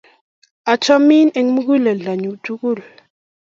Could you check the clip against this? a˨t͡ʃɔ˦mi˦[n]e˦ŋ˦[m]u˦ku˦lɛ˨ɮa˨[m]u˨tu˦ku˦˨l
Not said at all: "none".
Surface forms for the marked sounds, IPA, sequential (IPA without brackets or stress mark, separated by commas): n, m, ɲ